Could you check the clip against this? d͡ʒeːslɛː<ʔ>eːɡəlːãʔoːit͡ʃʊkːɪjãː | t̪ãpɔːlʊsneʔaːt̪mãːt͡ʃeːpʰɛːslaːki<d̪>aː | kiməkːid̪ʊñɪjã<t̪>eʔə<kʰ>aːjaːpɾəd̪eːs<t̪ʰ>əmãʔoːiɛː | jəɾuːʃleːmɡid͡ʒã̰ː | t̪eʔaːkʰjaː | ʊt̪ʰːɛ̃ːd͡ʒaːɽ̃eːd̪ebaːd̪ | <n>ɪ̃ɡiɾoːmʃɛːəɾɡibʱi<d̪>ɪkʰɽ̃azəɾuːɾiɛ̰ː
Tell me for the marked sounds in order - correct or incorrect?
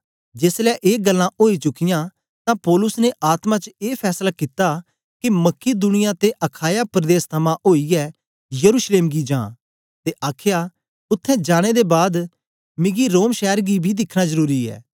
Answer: correct, incorrect, correct, correct, correct, incorrect, correct

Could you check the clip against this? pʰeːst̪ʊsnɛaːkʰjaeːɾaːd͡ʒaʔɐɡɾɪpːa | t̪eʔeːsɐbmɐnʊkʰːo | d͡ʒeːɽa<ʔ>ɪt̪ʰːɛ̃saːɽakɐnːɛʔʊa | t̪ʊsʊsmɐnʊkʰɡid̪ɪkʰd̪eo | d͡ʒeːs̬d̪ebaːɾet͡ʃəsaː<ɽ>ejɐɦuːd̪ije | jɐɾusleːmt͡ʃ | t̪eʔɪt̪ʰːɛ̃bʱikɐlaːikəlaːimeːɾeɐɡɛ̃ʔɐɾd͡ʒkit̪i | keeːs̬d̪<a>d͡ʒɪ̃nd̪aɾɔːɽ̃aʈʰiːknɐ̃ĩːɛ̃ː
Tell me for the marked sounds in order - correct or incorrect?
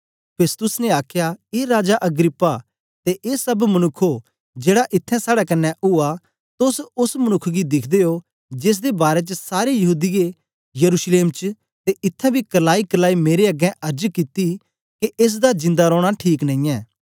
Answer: correct, incorrect, correct

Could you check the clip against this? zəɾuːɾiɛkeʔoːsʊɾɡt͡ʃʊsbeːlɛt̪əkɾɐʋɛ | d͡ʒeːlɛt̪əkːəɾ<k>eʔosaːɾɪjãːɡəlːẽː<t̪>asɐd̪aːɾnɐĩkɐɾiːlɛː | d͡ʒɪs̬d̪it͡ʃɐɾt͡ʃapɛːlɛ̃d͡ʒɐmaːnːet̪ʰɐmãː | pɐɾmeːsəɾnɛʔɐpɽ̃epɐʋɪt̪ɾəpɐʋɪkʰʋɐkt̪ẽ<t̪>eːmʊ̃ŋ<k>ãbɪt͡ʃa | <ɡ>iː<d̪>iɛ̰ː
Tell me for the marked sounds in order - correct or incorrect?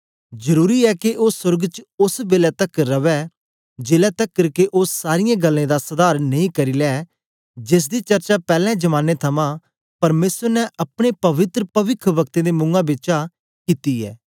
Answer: correct, incorrect, incorrect, incorrect, incorrect, incorrect

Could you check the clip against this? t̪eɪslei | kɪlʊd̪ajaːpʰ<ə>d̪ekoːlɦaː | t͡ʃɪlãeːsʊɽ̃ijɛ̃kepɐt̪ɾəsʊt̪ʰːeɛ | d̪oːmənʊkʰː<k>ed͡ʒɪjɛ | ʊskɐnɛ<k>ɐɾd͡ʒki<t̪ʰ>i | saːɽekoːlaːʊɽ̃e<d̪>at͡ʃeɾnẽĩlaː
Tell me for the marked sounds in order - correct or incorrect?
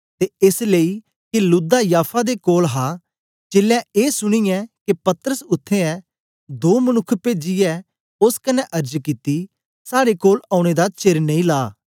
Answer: incorrect, incorrect, incorrect, incorrect, correct

